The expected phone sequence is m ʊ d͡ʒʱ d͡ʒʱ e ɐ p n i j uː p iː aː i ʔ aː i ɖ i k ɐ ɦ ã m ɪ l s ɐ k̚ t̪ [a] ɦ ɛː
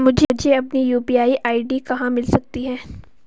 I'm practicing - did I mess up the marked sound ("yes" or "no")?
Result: yes